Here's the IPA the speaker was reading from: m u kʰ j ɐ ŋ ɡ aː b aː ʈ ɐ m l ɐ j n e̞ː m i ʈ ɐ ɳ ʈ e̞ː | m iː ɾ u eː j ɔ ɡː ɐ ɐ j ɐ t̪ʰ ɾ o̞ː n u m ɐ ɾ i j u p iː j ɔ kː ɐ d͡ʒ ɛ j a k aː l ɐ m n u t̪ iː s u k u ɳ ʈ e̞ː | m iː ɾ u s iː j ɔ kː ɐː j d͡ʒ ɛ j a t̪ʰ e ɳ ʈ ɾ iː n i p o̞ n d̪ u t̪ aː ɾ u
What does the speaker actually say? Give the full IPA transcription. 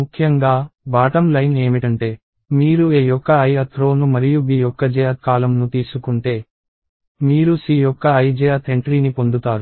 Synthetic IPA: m u kʰ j ɐ ŋ ɡ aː b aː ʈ ɐ m l ɐ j n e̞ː m i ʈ ɐ ɳ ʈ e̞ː | m iː ɾ u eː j ɔ kː ɐ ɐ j ɐ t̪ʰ ɾ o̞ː n u m ɐ ɾ i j u b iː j ɔ kː ɐ d͡ʒ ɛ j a k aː l ɐ m n u t̪ iː s u k u ɳ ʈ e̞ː | m iː ɾ u s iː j ɔ kː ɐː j d͡ʒ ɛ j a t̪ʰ e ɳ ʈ ɾ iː n i p o̞ n d̪ u t̪ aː ɾ u